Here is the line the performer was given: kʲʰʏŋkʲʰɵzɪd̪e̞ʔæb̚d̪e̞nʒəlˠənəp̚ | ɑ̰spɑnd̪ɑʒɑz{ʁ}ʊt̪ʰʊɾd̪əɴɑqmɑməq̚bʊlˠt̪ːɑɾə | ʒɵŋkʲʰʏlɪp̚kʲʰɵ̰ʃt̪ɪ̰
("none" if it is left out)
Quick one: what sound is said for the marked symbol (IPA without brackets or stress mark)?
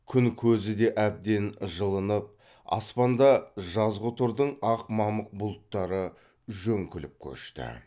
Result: ʁ